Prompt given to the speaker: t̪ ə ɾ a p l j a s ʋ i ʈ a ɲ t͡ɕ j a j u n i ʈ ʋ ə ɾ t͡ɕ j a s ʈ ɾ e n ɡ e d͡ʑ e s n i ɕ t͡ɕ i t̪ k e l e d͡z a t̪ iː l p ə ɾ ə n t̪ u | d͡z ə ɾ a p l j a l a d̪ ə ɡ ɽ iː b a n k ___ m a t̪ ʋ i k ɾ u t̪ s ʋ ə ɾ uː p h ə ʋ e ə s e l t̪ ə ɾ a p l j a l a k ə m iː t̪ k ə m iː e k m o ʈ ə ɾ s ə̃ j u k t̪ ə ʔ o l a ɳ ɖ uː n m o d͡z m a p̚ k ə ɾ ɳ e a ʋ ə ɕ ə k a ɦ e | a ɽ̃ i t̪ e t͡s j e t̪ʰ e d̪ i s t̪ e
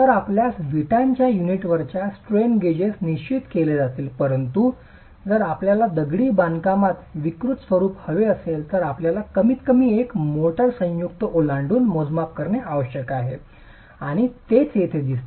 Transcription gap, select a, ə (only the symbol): a